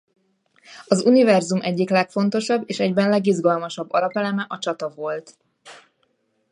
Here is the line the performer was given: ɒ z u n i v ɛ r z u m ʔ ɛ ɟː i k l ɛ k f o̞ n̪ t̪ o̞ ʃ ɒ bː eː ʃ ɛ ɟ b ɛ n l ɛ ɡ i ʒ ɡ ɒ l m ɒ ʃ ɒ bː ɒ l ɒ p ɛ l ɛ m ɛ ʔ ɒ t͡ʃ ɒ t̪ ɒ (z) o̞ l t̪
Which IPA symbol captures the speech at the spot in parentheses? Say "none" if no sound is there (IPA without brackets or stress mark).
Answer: v